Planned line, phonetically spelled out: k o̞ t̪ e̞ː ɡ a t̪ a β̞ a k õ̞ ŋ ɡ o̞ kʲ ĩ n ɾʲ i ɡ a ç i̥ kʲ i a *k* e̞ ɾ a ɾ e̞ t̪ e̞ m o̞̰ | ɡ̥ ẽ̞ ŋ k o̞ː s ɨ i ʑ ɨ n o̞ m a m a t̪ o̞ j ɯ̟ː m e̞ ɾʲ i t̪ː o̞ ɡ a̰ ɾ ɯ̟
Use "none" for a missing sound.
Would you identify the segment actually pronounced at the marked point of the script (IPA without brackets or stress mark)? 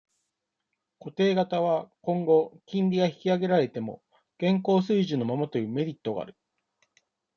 ɡ